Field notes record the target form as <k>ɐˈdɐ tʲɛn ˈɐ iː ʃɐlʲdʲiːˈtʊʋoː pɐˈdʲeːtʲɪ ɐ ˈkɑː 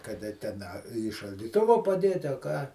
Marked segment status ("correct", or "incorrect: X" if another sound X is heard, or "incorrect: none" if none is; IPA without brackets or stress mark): correct